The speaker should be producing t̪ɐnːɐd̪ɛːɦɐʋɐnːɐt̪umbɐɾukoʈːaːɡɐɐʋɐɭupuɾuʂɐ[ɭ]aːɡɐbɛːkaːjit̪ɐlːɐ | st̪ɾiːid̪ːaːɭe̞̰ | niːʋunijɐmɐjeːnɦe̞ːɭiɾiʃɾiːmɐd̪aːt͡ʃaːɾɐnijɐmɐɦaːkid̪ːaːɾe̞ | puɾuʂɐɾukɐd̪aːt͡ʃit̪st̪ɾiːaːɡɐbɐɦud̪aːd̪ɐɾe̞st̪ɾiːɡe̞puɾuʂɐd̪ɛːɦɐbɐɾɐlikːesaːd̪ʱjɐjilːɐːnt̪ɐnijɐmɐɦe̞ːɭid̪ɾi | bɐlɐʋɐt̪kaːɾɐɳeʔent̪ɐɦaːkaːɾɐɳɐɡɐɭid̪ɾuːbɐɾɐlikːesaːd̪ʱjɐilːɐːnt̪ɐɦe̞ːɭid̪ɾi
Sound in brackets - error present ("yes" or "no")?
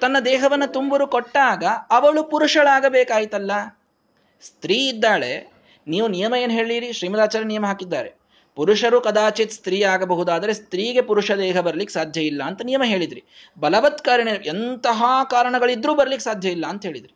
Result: no